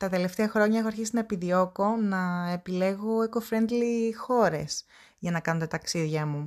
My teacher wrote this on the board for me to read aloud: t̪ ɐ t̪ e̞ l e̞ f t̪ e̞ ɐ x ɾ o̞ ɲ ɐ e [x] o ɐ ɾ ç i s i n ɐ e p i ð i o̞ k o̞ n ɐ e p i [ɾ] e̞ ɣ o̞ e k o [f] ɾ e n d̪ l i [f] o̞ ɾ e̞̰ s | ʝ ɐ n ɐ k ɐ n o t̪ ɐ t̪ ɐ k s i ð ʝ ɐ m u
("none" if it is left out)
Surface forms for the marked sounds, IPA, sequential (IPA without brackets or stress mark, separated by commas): x, l, f, x